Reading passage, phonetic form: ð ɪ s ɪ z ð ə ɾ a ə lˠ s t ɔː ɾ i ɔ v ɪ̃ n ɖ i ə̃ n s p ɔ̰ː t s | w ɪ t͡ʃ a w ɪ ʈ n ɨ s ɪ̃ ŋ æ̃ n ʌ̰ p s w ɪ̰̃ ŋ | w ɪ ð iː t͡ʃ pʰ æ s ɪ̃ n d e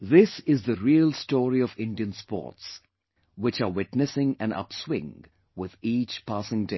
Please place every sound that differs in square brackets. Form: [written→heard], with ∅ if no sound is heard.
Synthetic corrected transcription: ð ɪ s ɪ z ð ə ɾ [a→i] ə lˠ s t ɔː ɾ i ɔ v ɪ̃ n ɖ i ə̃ n s p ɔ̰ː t s | w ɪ t͡ʃ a w ɪ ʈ n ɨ s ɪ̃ ŋ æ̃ n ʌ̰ p s w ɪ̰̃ ŋ | w ɪ ð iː t͡ʃ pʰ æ s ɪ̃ [n→ŋ] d e

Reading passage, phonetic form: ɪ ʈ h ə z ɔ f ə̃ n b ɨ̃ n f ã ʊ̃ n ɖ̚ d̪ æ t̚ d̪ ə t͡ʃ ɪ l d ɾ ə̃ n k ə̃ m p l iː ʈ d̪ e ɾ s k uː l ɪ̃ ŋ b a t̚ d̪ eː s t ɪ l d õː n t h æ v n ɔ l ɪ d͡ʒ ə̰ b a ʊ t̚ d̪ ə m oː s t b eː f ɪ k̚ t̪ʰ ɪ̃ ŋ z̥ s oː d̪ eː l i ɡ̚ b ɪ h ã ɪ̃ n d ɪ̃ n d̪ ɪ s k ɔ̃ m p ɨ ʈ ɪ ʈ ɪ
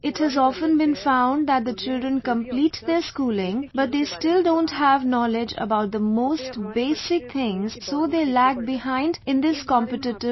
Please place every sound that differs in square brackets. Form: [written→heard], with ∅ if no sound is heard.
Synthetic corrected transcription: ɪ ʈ h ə z ɔ f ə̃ n b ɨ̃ n f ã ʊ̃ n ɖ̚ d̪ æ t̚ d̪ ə t͡ʃ ɪ l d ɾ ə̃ n k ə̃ m p l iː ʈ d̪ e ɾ s k uː l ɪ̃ ŋ b [a→ʌ] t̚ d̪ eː s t ɪ l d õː n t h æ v n ɔ l ɪ d͡ʒ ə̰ b a ʊ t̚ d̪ ə m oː s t b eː [f→s] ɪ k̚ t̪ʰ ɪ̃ ŋ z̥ s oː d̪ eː l [i→æ] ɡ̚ b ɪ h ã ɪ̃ n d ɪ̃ n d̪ ɪ s k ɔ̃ m p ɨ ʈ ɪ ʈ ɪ

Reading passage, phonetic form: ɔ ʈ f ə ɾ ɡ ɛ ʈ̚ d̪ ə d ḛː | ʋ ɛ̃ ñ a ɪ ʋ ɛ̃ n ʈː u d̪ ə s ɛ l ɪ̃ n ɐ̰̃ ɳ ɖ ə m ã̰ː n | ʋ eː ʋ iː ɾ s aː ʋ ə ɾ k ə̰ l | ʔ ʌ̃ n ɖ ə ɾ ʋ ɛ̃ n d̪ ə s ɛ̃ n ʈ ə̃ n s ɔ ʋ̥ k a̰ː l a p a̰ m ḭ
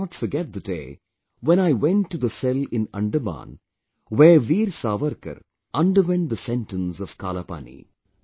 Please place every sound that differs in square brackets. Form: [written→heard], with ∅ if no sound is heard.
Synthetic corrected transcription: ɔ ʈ f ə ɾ ɡ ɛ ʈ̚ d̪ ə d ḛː | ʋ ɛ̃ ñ a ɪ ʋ ɛ̃ n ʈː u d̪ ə s ɛ l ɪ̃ n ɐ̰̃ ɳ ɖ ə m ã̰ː n | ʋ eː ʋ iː ɾ s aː ʋ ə ɾ k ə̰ [l→ɾ] | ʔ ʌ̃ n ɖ ə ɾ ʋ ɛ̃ n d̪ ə s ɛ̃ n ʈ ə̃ n s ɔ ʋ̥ k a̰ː l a p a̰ [m→n] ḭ

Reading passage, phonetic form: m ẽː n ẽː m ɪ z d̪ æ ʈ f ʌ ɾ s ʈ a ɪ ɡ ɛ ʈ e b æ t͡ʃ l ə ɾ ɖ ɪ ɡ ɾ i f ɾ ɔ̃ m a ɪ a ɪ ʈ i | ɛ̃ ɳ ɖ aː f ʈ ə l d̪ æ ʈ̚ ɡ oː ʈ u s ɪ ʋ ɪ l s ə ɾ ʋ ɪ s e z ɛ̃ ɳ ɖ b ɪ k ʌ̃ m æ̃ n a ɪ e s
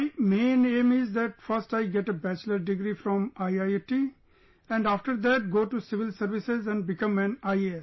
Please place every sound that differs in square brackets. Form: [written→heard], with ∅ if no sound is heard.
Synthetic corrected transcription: m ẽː n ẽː m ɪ z d̪ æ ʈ f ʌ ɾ s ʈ a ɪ ɡ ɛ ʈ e b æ t͡ʃ l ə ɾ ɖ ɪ ɡ ɾ i f ɾ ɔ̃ m a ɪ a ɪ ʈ i | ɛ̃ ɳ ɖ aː f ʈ ə [l→ɾ] d̪ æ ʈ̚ ɡ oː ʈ u s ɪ ʋ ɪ l s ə ɾ ʋ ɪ s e z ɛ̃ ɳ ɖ b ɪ k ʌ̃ m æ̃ n a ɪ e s

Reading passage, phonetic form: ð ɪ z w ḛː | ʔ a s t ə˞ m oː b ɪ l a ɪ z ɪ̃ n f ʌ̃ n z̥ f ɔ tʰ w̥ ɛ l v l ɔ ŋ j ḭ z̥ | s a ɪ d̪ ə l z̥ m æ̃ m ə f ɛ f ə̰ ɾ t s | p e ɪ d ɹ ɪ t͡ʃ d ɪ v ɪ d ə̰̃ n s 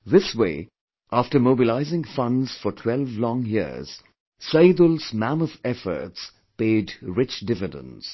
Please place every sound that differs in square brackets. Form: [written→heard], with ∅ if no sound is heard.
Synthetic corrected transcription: ð ɪ [z→s] w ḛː | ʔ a [s→f] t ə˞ m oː b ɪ l a ɪ z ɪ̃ [n→ŋ] f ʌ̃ n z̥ f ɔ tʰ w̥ ɛ l v l [ɔ→ɔ̃] ŋ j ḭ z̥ | s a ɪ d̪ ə l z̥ m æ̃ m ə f ɛ f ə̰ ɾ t s | p e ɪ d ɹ ɪ t͡ʃ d ɪ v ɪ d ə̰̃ n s

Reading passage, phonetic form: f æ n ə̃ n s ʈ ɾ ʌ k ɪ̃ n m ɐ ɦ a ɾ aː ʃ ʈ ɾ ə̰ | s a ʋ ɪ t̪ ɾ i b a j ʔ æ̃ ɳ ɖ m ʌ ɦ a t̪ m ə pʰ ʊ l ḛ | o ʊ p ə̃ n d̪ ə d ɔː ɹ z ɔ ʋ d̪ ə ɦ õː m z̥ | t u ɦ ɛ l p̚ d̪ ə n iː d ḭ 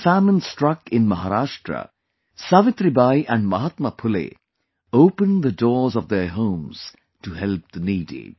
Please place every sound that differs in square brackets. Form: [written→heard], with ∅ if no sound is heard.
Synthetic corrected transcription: f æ [n→m] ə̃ n s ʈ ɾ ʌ k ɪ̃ n m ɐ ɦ a ɾ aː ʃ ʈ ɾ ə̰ | s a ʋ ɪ t̪ ɾ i b a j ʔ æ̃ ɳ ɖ m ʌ ɦ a t̪ m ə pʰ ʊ l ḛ | o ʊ p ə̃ n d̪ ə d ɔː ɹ z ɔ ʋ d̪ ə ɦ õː m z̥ | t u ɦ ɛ l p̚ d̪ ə n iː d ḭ

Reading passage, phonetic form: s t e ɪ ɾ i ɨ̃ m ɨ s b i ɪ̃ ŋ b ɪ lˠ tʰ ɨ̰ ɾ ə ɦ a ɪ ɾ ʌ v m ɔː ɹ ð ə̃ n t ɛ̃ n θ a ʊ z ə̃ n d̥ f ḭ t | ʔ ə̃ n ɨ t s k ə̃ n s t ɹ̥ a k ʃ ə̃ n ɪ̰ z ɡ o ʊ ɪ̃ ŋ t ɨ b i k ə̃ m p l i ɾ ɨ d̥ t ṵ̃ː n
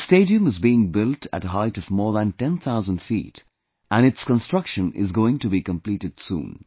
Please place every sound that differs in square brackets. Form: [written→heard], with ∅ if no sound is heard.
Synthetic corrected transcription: s t e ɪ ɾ i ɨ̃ m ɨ [s→z] b i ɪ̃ ŋ b ɪ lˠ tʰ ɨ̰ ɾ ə ɦ a ɪ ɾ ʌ v m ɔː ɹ ð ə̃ n t ɛ̃ n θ a ʊ z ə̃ n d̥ f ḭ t | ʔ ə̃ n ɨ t s k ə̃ n s t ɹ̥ [a→ʌ] k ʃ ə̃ n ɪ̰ z ɡ o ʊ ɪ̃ ŋ t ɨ b i k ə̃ m p l i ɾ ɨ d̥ [t→s] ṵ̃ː n

